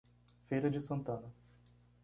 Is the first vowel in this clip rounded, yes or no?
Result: no